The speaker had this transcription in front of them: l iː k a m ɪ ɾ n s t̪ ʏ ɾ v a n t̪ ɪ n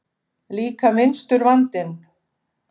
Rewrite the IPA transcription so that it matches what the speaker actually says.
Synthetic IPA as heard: l iː k a m ɪ n s t̪ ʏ ɾ v a n t̪ ɪ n